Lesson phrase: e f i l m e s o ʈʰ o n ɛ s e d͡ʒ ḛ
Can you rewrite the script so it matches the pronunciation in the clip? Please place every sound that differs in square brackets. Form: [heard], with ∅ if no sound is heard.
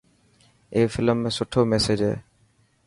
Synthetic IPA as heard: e f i l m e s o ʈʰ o [m] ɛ s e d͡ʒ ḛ